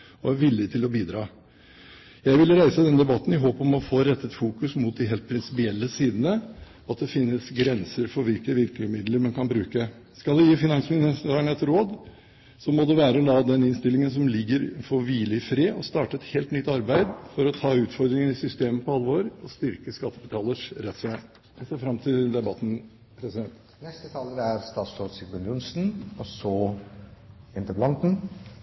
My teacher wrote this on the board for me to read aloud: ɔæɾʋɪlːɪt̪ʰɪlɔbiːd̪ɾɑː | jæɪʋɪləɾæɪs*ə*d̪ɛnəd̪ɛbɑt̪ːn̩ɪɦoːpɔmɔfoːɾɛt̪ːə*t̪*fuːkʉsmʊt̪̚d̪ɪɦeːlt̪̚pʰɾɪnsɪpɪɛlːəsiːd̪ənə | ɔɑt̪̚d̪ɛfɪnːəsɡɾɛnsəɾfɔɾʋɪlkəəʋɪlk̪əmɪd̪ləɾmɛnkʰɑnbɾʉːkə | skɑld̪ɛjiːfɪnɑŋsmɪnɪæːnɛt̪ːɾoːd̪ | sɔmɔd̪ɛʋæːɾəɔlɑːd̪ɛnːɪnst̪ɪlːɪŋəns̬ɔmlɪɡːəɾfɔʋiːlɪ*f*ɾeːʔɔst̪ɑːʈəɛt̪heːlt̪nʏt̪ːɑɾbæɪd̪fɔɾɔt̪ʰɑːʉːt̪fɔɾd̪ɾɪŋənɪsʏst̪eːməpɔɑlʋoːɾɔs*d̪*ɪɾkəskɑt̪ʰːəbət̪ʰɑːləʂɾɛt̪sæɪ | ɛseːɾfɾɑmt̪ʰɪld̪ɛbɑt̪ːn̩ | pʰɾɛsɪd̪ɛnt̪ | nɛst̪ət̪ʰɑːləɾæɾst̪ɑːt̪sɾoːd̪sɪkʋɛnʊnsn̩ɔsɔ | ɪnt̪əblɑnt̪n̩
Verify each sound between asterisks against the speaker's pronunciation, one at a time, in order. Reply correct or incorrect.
correct, correct, correct, incorrect: t̪

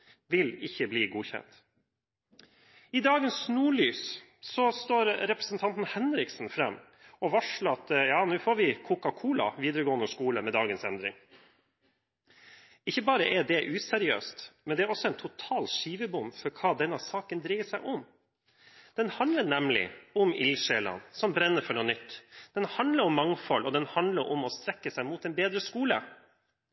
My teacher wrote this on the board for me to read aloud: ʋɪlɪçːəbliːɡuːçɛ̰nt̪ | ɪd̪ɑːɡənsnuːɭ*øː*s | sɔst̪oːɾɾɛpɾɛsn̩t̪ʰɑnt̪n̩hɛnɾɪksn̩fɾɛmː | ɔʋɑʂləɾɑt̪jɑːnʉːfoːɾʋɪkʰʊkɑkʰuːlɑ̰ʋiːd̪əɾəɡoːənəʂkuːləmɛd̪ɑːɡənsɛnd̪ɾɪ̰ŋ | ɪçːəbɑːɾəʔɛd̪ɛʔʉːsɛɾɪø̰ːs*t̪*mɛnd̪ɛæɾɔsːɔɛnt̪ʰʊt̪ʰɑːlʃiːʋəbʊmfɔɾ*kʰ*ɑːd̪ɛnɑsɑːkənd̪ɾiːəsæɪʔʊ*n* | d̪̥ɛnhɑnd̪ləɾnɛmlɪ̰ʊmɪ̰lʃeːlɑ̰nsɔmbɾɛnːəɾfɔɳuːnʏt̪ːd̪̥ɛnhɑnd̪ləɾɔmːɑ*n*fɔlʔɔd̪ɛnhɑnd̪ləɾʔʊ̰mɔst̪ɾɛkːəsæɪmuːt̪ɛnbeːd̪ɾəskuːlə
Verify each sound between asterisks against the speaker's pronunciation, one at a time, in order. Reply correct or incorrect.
incorrect: yː, correct, correct, incorrect: m, incorrect: ŋ

